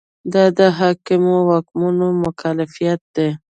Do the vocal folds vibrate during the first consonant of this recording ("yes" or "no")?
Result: yes